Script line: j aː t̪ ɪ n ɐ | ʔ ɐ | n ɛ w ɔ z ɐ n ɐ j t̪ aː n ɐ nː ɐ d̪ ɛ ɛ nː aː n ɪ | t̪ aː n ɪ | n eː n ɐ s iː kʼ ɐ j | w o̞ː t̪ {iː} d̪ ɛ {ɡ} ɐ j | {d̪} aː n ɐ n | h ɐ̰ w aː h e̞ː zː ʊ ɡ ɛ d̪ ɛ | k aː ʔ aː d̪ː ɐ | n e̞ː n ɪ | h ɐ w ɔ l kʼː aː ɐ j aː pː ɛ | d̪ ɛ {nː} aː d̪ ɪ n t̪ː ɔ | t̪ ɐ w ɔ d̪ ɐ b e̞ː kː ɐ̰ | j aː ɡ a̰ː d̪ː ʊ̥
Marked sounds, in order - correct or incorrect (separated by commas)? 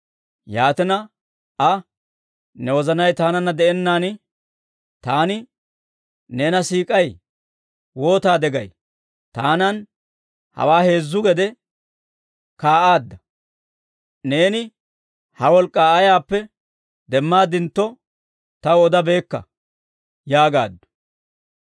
incorrect, correct, incorrect, incorrect